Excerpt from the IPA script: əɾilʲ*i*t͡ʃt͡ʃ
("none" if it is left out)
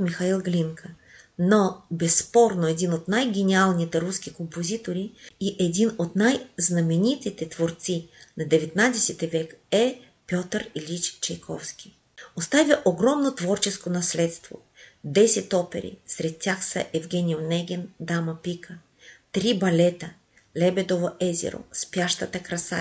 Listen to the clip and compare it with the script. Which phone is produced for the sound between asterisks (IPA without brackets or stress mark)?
i